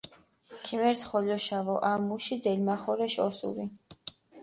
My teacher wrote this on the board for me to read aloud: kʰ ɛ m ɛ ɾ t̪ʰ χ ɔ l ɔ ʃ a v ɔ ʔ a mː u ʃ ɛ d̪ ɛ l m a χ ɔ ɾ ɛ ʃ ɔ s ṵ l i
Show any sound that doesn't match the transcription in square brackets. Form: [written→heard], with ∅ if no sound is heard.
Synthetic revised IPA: kʰ [ɛ→i] m ɛ ɾ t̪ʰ χ ɔ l ɔ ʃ a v ɔ ʔ a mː u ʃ [ɛ→i] d̪ ɛ l m a χ ɔ ɾ ɛ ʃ ɔ s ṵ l i